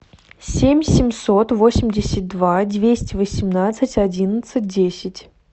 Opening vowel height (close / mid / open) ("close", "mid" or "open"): mid